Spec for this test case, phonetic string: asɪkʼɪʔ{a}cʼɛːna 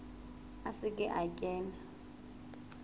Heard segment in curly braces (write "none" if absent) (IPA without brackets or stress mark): a